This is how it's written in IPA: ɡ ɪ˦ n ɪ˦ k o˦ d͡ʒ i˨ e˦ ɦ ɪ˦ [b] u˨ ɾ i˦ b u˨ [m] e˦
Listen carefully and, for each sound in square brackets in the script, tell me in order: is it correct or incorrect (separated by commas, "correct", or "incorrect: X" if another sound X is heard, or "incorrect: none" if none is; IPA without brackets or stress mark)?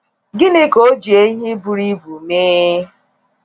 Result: correct, correct